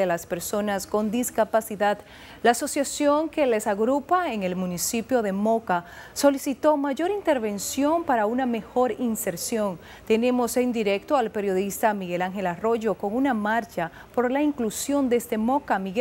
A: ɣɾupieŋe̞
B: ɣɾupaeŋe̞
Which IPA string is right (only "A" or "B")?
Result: B